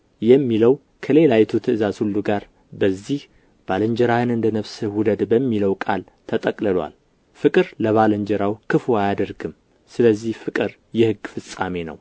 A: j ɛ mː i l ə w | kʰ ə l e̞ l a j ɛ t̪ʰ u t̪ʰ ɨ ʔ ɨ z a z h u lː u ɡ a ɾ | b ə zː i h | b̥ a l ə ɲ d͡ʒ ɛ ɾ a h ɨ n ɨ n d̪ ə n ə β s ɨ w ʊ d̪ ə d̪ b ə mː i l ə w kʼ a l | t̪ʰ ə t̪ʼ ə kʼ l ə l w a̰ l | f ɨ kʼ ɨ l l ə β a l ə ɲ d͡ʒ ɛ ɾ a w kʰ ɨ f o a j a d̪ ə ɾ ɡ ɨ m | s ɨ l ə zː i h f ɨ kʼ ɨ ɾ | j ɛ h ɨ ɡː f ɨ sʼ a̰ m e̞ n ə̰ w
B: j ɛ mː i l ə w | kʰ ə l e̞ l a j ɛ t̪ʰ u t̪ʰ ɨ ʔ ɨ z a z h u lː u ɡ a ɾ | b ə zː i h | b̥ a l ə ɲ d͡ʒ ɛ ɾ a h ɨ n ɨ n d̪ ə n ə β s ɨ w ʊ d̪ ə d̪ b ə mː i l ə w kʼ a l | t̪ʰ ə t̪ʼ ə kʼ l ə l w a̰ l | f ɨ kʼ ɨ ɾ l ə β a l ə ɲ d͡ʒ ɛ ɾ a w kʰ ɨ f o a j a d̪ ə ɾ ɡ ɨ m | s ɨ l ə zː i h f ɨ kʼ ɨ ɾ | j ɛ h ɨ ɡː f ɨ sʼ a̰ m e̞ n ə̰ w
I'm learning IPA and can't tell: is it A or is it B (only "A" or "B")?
B